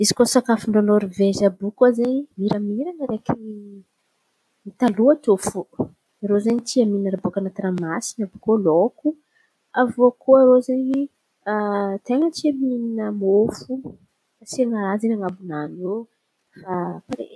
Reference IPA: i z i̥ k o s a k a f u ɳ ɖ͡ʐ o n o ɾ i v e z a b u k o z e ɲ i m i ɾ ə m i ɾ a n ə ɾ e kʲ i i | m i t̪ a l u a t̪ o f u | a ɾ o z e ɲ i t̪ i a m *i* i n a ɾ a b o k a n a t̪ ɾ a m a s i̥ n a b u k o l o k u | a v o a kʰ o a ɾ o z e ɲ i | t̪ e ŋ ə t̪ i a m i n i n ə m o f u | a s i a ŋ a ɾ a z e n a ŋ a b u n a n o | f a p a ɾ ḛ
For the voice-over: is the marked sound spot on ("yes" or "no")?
yes